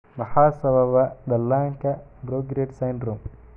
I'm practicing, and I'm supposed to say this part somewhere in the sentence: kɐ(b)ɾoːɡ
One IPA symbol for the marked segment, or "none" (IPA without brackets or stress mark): b